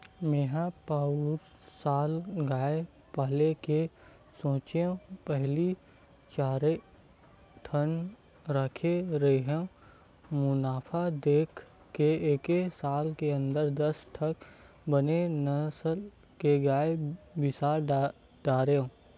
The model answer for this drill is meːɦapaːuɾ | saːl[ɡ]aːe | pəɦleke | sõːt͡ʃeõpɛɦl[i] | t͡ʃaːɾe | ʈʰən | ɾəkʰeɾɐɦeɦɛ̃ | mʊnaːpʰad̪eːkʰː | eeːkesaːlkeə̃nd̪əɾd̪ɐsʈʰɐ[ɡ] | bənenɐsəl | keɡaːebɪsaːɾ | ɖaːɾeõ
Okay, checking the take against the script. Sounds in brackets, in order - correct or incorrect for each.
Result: correct, correct, incorrect: k

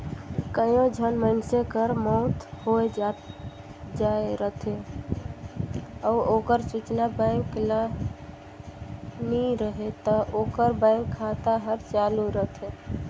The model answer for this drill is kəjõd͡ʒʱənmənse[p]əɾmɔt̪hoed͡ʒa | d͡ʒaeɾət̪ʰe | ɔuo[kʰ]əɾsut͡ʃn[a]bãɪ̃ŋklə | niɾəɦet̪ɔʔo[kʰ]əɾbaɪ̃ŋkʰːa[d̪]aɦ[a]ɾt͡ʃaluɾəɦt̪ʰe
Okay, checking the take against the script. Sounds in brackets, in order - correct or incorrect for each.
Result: incorrect: k, incorrect: k, correct, incorrect: k, incorrect: t̪, incorrect: ə

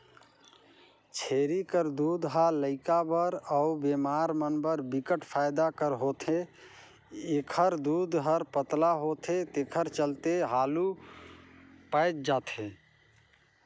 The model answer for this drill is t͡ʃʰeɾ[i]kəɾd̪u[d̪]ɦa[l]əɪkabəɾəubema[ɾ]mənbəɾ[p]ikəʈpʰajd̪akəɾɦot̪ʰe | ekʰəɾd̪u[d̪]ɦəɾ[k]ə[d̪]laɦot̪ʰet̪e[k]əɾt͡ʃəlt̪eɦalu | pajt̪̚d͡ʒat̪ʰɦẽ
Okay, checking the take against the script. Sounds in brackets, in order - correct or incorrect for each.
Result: correct, correct, correct, correct, incorrect: b, correct, incorrect: p, incorrect: t̪, incorrect: kʰ

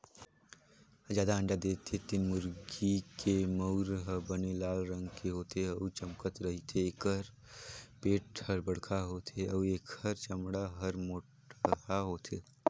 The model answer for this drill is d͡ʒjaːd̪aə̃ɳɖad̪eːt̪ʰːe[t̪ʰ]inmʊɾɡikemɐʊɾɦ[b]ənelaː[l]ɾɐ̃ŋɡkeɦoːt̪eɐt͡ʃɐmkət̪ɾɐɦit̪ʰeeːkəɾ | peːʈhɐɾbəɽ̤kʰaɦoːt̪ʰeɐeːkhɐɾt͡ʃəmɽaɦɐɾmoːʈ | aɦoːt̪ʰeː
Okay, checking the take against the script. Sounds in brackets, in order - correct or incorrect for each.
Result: incorrect: t̪, correct, correct

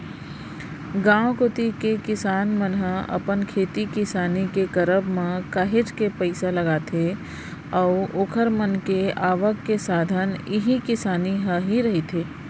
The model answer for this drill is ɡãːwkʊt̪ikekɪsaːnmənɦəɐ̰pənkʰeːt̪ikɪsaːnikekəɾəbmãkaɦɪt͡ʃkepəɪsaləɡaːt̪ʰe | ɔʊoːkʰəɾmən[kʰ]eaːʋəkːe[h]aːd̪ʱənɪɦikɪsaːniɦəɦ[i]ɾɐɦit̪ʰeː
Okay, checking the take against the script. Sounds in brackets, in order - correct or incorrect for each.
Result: incorrect: k, incorrect: s, correct

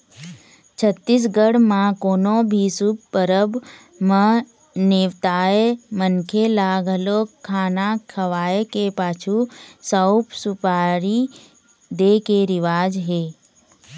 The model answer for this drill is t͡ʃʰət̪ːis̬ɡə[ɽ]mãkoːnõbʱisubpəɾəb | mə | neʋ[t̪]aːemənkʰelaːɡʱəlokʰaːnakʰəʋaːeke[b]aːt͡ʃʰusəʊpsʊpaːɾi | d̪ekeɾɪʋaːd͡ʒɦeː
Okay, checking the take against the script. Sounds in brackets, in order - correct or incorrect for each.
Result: correct, correct, incorrect: p

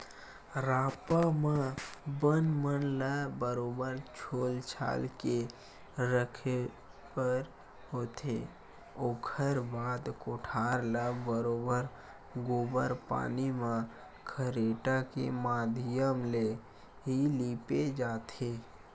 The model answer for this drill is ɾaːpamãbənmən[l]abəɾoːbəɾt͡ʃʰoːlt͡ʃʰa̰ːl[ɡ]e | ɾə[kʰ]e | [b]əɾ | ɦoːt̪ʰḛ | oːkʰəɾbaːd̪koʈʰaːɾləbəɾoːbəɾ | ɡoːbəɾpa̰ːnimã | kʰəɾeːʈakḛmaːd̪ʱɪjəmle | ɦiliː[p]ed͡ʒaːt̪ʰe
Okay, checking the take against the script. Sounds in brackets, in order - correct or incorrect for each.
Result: correct, incorrect: k, correct, incorrect: p, correct

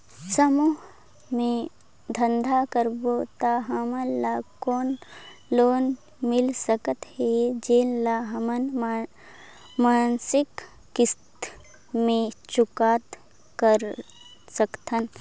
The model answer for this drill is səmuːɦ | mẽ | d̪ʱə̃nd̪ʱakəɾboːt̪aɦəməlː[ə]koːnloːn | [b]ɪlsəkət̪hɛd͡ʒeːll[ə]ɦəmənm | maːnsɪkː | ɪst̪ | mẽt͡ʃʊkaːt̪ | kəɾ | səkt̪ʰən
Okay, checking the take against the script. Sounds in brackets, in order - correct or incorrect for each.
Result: incorrect: a, incorrect: m, incorrect: a

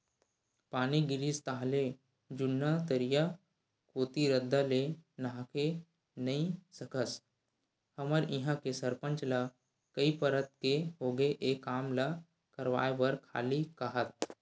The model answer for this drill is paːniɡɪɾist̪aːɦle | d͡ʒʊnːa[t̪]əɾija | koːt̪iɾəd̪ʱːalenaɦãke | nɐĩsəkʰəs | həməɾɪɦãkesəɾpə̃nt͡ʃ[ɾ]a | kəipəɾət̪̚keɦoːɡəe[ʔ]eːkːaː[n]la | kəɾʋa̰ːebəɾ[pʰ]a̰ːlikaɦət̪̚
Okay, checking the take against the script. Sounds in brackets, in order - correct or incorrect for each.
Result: correct, incorrect: l, correct, incorrect: m, incorrect: kʰ

